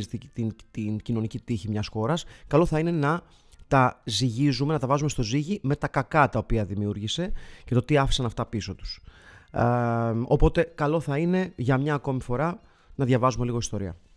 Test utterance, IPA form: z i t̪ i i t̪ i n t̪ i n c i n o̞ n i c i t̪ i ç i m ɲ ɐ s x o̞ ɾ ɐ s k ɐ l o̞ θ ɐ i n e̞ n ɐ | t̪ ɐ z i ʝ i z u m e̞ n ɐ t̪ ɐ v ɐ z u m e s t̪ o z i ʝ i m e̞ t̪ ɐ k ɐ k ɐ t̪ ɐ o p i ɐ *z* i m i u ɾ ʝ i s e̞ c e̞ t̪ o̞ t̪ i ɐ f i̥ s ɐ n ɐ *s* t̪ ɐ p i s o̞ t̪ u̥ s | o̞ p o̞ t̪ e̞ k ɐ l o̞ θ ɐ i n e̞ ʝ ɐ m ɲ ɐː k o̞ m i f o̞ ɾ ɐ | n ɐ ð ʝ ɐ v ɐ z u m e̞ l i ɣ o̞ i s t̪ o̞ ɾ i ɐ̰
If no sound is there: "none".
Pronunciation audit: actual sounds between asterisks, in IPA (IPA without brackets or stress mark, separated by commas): ð, f